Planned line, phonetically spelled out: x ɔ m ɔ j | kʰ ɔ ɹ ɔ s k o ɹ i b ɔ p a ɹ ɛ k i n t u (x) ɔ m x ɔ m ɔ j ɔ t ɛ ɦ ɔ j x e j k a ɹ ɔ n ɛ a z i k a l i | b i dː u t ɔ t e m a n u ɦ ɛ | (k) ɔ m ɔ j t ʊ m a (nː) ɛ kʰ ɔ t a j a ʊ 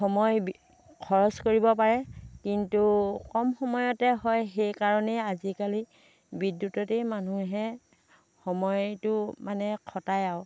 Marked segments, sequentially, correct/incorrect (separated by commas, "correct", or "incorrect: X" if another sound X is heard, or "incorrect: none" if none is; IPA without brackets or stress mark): incorrect: k, incorrect: x, incorrect: n